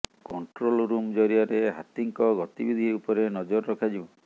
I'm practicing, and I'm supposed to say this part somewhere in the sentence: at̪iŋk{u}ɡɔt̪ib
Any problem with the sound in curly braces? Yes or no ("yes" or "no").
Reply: yes